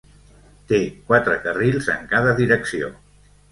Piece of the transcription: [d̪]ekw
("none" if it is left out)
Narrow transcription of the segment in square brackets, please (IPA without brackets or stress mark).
t̪